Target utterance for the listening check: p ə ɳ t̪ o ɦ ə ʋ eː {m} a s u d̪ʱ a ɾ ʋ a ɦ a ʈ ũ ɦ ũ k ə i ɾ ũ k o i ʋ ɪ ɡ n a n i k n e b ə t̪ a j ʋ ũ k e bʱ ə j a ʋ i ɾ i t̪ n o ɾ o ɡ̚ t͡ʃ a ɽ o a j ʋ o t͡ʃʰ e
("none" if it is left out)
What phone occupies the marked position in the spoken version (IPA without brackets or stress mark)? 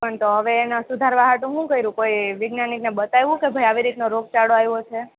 n